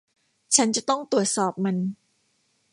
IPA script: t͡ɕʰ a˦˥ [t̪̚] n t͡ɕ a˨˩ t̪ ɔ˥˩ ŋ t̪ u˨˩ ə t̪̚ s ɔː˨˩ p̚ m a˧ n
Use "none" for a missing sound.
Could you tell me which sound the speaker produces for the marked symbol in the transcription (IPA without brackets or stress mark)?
none